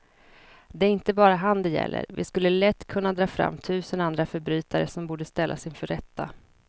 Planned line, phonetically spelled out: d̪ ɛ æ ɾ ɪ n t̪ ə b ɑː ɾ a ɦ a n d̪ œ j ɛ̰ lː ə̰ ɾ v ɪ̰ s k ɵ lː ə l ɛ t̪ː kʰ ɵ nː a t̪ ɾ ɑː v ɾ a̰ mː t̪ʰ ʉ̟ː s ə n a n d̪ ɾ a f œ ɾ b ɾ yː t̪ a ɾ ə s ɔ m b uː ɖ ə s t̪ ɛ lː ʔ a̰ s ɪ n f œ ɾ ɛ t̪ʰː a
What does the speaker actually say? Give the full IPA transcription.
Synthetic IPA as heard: d̪ ɛ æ ɾ ɪ n t̪ ə b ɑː ɾ a ɦ a n d̪ ɛ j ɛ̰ lː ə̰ ɾ v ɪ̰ s k ɵ lː ə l ɛ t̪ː kʰ ɵ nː a d̪ ɾ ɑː f ɾ a̰ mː t̪ʰ ʉ̟ː s ə n a n d̪ ɾ a f œ ɾ b ɾ yː t̪ a ɾ ə s ɔ m b uː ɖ ə s t̪ ɛ lː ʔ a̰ s ɪ n f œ ɾ ɛ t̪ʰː a